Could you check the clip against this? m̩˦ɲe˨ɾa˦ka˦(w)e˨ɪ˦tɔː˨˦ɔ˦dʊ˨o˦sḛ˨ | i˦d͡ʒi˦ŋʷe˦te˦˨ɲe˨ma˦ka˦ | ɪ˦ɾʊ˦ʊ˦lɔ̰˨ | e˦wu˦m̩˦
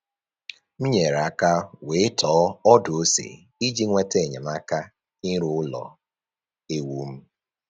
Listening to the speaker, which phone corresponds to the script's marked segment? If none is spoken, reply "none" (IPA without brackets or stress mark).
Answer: w